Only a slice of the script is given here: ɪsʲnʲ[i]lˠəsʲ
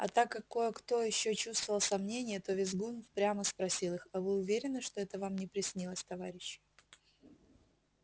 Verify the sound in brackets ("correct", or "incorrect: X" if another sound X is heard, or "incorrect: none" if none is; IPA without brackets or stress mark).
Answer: correct